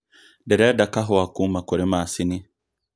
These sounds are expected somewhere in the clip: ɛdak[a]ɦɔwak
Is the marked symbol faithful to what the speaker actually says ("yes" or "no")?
yes